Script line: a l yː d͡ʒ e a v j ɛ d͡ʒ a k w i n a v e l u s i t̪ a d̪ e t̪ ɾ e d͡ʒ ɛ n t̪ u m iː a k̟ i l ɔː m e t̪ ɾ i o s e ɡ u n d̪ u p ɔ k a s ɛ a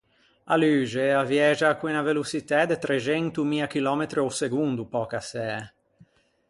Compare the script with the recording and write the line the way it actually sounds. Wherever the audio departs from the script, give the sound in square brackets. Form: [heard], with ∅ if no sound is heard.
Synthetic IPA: a l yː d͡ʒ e a v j ɛ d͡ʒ a k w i n a v e l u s i t̪ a d̪ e t̪ ɾ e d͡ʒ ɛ n t̪ u m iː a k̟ i l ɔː m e t̪ ɾ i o s e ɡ u n d̪ u p ɔ k a s ɛ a